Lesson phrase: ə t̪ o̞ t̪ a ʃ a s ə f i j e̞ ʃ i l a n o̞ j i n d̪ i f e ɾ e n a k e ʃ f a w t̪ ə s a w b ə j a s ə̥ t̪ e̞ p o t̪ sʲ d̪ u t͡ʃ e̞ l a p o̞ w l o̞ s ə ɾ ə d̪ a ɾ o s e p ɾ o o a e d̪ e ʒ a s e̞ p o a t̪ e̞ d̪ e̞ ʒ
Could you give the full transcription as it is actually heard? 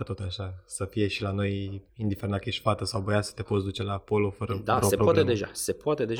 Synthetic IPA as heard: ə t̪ o̞ t̪ a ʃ a s ə f i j e̞ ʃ i l a n o̞ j i n d̪ i f e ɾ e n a k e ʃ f a t̪ ə s a w b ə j a s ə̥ t̪ e̞ p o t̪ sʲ d̪ u t͡ʃ e̞ l a p o̞ l o̞ f ə ɾ ə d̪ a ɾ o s e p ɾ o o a e d̪ e ʒ a s e̞ p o a t̪ e̞ d̪ e̞ ʒ